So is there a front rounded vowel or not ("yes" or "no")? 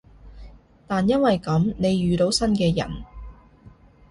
yes